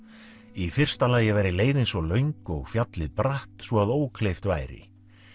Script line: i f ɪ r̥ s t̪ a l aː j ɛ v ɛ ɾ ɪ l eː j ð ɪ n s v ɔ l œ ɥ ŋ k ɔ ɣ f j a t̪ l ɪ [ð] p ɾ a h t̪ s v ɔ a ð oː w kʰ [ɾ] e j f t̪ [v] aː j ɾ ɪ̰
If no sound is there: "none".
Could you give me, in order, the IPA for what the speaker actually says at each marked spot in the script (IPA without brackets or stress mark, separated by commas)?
ð, l, v